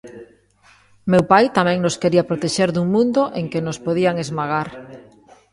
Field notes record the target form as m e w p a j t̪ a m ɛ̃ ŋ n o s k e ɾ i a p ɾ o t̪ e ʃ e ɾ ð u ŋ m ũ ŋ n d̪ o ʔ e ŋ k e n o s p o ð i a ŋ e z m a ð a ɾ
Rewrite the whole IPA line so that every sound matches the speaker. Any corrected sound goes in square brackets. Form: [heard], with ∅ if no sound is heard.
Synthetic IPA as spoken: m e w p a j t̪ a m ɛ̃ ŋ n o s k e ɾ i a p ɾ o t̪ e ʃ e ɾ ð u ŋ m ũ [∅] n d̪ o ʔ e ŋ k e n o s p o ð i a ŋ e z m a [ɣ] a ɾ